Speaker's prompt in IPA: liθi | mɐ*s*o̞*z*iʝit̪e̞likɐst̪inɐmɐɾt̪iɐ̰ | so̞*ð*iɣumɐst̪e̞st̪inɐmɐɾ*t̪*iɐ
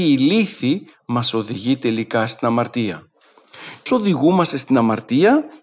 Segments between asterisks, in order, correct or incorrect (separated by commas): correct, incorrect, correct, correct